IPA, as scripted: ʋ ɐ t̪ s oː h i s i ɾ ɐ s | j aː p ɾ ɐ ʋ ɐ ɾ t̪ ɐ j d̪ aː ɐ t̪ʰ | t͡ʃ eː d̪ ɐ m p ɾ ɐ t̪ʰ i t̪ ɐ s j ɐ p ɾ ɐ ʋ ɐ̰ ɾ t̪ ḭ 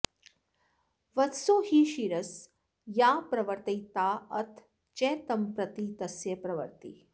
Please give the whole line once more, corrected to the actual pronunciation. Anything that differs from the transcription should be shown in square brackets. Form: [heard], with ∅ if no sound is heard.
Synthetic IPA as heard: ʋ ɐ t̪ s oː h i [ʃ] i ɾ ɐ s | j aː p ɾ ɐ ʋ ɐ ɾ t̪ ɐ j [t̪] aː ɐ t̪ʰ | t͡ʃ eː [t̪] ɐ m p ɾ ɐ [t̪] i t̪ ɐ s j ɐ p ɾ ɐ ʋ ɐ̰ ɾ t̪ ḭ